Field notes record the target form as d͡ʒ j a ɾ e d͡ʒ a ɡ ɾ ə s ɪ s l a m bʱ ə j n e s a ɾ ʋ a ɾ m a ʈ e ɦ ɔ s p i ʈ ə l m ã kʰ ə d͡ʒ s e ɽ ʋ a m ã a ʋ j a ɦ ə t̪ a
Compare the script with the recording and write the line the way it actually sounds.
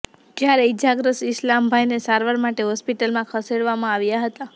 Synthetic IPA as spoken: d͡ʒ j a ɾ e d͡ʒ a ɡ ɾ ə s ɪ s l a m bʱ a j n e s a ɾ ʋ a ɾ m a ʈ e ɦ ɔ s p i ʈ ə l m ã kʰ ə s e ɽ ʋ a m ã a ʋ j a ɦ ə t̪ a